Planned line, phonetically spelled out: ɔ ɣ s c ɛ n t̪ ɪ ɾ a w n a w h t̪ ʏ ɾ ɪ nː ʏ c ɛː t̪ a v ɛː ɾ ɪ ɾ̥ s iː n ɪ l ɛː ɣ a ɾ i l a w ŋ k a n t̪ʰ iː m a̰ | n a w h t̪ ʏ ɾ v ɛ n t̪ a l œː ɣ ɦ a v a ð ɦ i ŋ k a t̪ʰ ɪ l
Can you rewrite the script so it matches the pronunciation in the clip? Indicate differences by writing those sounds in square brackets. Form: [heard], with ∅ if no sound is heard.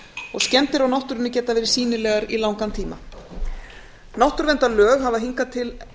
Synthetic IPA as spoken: ɔ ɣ s c ɛ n t̪ ɪ ɾ a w n a w h t̪ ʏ ɾ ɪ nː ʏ c ɛː t̪ a v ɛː ɾ ɪ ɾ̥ s iː n ɪ l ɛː ɣ a ɾ i l a w ŋ k a n t̪ʰ iː m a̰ | n a w h t̪ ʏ ɾ v ɛ n t̪ a l œː ɣ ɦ a v a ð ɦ i ŋ k a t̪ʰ ɪ l